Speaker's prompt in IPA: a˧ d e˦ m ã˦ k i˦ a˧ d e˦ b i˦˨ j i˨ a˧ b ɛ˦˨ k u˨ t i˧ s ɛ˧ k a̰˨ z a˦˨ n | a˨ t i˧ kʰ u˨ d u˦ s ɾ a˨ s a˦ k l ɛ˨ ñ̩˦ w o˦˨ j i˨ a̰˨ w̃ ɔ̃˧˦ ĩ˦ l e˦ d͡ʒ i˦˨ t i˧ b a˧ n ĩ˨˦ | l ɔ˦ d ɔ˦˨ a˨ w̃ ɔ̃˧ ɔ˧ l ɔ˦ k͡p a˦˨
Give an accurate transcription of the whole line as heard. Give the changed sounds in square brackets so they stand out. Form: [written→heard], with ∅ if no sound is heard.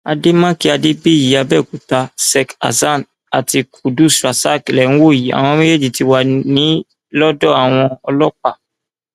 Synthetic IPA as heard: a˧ d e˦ m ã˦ k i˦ a˧ d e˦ b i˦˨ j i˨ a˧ b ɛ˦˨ k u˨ t [i˧→a˧] s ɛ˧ k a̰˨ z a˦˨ n | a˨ t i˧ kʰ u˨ d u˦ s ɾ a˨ s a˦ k l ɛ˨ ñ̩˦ w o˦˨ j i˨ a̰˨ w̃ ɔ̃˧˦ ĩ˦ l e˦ d͡ʒ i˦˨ t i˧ [b→w] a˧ n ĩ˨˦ | l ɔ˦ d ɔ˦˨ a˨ w̃ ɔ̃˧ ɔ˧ l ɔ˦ k͡p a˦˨